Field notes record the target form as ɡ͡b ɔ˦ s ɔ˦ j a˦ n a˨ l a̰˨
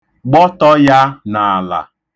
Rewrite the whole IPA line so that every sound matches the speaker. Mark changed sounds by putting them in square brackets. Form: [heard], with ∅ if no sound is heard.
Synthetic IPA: ɡ͡b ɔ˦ [t] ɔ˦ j a˦ n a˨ l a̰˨